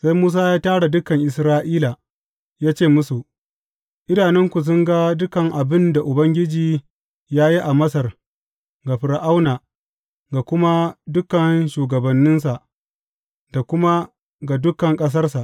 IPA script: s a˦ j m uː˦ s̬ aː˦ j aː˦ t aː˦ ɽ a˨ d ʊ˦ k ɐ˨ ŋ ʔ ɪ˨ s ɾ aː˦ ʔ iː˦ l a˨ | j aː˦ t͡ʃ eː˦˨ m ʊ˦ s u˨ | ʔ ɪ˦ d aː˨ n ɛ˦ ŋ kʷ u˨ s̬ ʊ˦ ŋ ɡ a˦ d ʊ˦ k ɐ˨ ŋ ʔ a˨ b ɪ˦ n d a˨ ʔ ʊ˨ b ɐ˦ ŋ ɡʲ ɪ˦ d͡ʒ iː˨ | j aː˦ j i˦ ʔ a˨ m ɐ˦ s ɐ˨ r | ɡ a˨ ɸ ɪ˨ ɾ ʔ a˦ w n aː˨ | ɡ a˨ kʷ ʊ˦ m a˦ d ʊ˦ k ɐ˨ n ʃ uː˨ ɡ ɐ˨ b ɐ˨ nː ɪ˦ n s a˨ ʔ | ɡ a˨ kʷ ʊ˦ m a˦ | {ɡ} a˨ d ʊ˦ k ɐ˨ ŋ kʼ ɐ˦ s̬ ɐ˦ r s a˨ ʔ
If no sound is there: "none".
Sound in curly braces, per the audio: ɡ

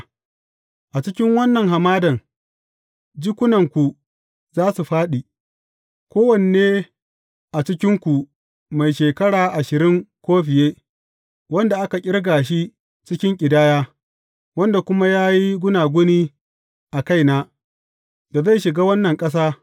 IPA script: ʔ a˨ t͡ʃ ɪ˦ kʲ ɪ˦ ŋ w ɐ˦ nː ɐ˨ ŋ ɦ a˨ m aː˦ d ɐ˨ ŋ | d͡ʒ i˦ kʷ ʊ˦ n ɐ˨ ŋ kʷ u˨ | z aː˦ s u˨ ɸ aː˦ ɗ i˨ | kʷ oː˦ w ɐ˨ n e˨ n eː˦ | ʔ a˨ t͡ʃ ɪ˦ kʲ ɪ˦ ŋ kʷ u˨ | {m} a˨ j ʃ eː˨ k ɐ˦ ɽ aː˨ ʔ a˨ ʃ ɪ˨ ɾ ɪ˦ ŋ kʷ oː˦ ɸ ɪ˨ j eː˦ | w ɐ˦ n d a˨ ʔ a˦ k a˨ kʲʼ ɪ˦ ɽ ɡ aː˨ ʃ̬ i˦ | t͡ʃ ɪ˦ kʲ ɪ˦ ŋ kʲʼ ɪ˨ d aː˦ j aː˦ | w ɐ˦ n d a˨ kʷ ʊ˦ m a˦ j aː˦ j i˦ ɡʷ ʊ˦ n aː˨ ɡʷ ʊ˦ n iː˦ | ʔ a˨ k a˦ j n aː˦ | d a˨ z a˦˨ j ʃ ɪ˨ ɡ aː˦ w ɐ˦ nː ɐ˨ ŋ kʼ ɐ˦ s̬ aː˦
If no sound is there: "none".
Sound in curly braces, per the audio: m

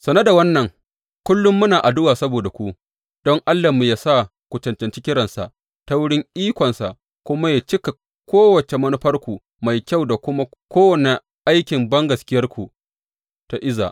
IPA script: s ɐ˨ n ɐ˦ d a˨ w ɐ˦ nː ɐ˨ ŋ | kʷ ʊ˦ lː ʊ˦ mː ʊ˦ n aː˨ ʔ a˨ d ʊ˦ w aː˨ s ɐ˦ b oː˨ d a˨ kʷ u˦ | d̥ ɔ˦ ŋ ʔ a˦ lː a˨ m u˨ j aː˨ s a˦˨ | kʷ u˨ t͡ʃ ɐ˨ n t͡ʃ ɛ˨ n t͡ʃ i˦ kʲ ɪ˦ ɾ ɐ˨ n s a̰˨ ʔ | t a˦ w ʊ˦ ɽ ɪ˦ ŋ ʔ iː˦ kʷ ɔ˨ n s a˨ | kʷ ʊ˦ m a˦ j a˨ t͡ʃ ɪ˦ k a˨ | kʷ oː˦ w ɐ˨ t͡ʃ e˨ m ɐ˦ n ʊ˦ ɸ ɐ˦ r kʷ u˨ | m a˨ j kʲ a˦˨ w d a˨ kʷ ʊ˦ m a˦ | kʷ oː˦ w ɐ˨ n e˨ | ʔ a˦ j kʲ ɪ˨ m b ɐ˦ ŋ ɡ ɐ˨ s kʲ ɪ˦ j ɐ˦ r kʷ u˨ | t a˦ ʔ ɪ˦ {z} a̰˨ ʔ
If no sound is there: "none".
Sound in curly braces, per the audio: z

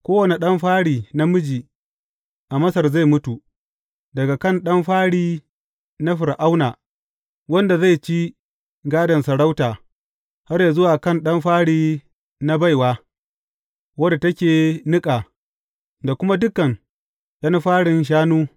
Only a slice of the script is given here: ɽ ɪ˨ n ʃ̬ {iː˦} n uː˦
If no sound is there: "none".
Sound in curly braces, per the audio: aː˦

